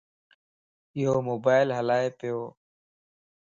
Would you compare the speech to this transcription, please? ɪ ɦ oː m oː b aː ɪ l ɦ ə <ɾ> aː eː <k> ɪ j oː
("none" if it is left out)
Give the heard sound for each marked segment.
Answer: l, p

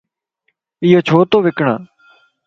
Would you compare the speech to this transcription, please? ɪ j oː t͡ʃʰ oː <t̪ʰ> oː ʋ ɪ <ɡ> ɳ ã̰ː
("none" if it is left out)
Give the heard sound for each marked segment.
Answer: t̪, k

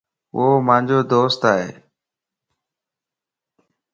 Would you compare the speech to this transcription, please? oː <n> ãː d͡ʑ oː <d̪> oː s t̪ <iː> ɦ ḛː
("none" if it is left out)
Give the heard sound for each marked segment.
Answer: m, d̪, aː

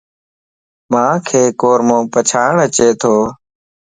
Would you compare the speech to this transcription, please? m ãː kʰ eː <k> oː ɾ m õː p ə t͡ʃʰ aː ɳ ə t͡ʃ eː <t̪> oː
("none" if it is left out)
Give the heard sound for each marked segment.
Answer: k, t̪ʰ

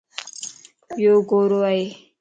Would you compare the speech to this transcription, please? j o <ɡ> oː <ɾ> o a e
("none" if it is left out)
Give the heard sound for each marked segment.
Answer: ɡ, ɾ

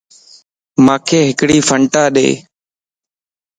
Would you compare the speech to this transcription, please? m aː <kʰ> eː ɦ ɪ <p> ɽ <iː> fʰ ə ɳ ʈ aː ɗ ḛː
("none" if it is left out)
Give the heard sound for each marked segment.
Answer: kʰ, k, iː

